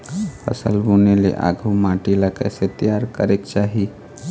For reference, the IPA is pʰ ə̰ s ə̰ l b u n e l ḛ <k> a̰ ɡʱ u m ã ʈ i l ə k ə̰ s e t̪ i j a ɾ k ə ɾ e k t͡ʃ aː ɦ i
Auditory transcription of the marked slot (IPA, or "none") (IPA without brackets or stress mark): ʔ